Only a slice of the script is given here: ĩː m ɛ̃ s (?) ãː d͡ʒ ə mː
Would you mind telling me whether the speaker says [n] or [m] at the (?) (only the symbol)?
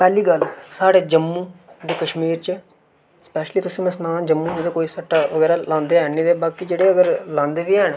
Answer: n